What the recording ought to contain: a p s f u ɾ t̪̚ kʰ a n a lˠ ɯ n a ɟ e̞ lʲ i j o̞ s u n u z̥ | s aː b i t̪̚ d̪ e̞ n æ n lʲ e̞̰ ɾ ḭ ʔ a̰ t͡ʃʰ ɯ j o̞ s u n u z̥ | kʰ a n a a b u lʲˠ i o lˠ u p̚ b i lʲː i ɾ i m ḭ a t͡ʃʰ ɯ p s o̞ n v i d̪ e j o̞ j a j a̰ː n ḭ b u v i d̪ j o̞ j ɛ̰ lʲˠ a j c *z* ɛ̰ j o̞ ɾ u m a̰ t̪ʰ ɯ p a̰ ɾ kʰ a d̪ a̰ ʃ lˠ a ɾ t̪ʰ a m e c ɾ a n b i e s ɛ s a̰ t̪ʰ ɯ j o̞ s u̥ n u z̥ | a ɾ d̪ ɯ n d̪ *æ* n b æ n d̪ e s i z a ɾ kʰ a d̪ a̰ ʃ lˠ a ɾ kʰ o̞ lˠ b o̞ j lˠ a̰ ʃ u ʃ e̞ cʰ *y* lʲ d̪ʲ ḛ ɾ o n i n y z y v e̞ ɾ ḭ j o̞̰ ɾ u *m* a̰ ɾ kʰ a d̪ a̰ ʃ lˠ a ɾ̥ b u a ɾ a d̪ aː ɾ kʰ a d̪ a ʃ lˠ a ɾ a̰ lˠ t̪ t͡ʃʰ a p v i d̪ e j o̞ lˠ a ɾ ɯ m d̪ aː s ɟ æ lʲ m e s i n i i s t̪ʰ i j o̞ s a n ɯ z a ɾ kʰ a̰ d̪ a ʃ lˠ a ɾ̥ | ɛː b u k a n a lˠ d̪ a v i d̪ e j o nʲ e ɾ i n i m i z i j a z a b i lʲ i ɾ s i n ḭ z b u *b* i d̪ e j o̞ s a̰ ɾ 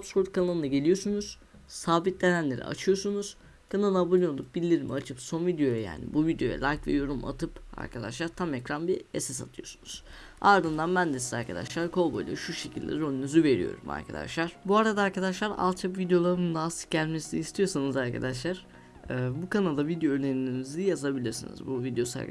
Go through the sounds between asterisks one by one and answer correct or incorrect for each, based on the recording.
incorrect, incorrect, incorrect, correct, incorrect

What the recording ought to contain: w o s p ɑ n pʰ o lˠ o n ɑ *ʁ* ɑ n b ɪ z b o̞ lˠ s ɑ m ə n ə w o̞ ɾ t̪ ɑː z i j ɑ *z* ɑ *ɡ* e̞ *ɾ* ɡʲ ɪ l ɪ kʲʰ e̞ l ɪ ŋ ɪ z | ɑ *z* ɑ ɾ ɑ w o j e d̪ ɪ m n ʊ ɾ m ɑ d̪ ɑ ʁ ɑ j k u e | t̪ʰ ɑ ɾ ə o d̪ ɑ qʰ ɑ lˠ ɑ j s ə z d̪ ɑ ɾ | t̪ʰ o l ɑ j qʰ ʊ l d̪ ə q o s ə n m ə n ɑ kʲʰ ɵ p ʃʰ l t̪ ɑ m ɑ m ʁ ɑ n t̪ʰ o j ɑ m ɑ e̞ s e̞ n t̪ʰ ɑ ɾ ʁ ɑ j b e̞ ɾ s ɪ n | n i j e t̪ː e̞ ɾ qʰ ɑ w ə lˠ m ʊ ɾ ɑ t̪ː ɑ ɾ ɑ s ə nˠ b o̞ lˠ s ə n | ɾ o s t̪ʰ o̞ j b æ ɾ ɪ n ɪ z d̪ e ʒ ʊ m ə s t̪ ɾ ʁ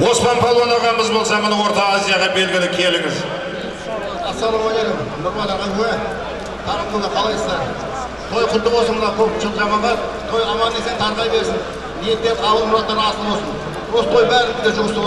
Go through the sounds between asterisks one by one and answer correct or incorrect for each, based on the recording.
correct, incorrect, incorrect, incorrect, incorrect

